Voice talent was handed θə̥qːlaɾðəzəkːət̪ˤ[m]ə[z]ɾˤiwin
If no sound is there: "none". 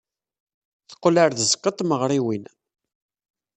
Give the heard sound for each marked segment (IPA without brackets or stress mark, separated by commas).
m, ʁ